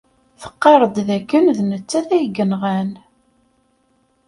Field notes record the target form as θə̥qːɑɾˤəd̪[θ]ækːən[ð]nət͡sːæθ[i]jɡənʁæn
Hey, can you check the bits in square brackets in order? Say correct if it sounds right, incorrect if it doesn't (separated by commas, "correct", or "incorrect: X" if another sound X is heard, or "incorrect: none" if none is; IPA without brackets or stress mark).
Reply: incorrect: ð, correct, incorrect: æ